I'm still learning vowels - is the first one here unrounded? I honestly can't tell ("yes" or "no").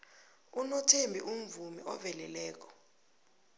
no